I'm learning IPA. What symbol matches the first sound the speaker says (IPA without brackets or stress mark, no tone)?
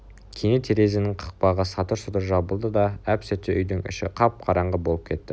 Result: kʲʰ